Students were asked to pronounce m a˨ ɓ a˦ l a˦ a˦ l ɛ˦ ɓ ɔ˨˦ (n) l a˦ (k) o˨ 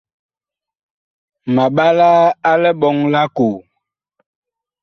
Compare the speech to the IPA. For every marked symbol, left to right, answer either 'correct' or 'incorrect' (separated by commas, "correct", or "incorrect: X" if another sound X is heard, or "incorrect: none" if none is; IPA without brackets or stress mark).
incorrect: ŋ, correct